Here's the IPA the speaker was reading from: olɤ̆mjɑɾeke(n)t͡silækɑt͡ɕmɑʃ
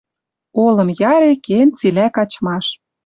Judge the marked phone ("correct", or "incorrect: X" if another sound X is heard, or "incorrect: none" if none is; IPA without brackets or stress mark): correct